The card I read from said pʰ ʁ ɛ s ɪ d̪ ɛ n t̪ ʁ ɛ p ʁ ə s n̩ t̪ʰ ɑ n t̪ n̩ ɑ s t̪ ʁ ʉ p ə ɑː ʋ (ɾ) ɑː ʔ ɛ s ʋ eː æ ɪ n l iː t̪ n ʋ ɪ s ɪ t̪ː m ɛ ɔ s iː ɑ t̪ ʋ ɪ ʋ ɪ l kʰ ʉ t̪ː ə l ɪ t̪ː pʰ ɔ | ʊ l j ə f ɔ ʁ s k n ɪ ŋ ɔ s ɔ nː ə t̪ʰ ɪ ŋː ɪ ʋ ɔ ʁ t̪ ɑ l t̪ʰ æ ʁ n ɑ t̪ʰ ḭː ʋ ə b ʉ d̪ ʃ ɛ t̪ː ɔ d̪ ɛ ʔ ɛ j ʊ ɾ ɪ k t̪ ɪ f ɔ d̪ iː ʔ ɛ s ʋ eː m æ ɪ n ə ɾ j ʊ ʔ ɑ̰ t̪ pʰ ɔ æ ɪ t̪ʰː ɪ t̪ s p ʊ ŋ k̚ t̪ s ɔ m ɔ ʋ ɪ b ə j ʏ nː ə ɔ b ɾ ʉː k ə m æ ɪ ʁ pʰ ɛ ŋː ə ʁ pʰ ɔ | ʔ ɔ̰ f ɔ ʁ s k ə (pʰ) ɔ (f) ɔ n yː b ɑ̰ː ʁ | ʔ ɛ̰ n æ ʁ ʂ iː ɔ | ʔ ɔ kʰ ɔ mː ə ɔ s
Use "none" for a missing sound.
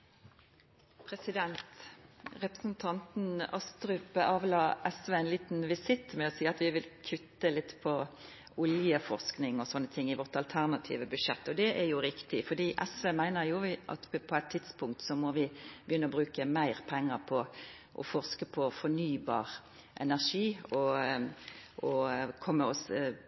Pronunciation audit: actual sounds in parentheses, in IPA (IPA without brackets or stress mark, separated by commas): l, pʰ, f